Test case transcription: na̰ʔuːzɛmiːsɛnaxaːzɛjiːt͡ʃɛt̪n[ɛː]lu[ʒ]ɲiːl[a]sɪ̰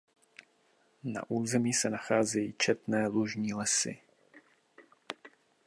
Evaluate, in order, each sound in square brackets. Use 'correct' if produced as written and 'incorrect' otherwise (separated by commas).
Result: correct, correct, incorrect